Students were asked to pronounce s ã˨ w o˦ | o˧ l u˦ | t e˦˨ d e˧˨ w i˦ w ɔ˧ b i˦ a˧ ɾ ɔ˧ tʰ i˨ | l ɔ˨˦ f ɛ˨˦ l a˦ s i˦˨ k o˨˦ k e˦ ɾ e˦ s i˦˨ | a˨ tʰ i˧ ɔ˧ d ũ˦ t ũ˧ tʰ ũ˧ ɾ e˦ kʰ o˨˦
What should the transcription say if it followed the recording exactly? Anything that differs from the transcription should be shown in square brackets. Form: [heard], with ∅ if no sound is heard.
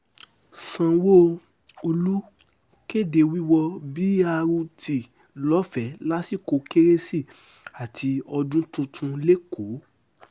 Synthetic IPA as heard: s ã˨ w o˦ | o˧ l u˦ | [k] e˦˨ d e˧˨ w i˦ w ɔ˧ b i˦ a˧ ɾ [u˧] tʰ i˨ | l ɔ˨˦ f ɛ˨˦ l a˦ s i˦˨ k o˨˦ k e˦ ɾ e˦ s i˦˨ | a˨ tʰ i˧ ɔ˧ d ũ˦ t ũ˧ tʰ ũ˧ [l] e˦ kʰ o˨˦